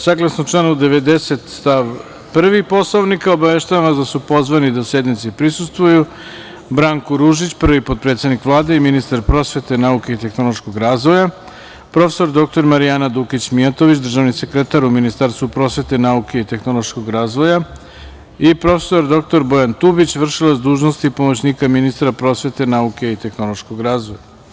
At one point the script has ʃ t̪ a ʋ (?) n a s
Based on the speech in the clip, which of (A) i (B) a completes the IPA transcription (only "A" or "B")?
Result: B